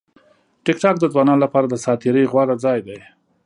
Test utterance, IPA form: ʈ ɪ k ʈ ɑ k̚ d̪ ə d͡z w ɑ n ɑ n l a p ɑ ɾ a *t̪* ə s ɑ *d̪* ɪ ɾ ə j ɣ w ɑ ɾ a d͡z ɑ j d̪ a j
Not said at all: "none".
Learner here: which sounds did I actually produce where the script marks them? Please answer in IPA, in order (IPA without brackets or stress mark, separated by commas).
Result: d̪, t̪